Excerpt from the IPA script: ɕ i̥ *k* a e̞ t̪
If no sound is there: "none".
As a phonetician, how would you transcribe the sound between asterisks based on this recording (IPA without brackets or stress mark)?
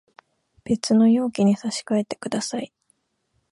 k